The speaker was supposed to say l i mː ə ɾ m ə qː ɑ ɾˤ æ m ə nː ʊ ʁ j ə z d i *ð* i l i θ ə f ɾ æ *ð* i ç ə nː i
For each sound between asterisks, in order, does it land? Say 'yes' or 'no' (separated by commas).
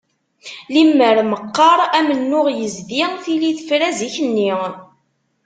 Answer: no, no